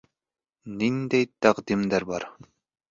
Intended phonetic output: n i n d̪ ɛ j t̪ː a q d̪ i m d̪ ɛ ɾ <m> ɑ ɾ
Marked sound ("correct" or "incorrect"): incorrect